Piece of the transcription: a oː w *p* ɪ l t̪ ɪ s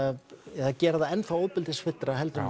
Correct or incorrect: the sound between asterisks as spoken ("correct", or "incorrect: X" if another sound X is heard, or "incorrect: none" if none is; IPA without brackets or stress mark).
correct